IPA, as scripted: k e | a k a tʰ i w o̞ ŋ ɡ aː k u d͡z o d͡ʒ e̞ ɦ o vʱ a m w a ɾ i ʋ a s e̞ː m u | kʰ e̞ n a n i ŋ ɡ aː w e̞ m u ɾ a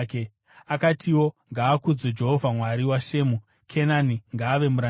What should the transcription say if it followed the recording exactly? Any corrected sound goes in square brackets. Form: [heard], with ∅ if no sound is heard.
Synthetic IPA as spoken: k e | a k a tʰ i w o̞ ŋ ɡ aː k u d͡z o d͡ʒ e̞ ɦ o vʱ a m w a ɾ i [w] a [ʃ] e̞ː m u | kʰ e̞ n a n i ŋ ɡ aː [ʋ] e̞ m u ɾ a